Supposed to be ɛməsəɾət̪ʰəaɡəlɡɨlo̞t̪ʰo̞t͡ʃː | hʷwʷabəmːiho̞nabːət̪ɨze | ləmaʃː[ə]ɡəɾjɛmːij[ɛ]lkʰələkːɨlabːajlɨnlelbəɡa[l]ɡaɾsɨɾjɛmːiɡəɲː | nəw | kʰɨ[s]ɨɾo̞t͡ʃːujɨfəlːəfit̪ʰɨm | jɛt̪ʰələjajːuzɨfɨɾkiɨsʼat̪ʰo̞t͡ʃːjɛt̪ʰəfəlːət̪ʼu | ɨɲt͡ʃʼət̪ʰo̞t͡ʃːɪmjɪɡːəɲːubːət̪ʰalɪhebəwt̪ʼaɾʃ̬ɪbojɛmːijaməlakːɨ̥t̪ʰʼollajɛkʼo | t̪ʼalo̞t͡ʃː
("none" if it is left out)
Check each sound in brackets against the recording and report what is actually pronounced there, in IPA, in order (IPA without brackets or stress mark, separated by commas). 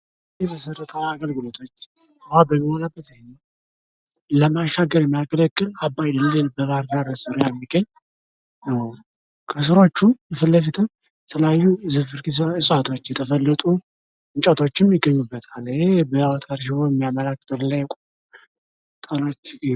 a, a, ɾ, s